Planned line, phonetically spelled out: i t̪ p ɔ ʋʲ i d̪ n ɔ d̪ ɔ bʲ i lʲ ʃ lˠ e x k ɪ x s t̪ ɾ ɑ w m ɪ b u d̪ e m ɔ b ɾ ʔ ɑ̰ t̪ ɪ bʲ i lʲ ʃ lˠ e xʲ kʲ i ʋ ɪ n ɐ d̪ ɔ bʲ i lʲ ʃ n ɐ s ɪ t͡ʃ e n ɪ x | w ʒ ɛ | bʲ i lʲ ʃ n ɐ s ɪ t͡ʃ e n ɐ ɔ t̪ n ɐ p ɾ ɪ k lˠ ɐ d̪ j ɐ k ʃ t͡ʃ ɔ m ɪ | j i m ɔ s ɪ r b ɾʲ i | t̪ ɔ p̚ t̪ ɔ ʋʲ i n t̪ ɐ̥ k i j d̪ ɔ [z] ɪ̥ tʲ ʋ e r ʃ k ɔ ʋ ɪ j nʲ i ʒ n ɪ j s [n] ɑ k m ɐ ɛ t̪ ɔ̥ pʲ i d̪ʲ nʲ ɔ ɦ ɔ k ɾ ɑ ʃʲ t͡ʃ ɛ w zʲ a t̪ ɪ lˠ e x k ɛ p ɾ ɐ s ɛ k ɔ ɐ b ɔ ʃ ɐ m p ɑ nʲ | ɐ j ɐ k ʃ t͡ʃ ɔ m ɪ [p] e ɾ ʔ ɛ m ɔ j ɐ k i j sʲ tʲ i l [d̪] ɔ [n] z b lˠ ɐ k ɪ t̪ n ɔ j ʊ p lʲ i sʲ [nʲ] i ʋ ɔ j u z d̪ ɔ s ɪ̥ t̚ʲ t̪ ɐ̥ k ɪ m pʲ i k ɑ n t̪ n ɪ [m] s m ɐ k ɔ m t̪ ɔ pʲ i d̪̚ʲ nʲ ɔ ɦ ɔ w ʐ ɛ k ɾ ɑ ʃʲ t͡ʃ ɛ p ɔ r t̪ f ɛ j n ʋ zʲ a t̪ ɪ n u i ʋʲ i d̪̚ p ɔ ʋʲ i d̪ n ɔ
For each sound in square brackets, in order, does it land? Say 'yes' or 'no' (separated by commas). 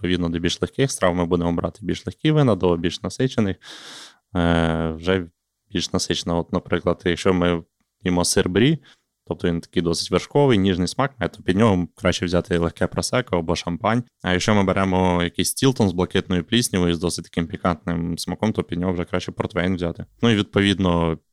no, no, no, no, yes, yes, yes